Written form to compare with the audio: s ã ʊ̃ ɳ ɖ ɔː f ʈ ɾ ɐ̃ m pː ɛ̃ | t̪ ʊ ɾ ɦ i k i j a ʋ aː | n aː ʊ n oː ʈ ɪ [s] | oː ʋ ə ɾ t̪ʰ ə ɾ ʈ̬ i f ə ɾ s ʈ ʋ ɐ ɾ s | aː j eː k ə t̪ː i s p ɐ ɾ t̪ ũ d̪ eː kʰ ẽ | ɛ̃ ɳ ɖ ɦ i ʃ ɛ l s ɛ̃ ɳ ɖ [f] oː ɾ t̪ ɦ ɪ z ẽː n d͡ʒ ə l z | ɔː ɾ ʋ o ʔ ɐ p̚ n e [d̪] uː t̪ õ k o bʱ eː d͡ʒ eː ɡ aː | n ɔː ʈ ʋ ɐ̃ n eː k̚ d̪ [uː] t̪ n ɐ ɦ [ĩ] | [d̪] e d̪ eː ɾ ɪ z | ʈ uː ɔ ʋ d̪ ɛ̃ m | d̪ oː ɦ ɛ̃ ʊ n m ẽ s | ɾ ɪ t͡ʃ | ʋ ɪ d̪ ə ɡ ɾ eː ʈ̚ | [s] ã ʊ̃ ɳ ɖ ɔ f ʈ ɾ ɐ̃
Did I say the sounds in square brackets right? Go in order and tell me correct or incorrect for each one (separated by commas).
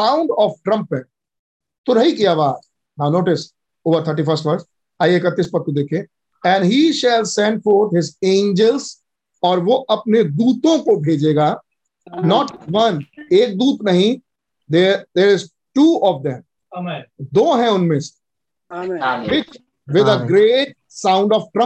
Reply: correct, correct, correct, correct, correct, correct, correct